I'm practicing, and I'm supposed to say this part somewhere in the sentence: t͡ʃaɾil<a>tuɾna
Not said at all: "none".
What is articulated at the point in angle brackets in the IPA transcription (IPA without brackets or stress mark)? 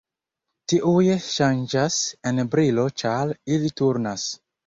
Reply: i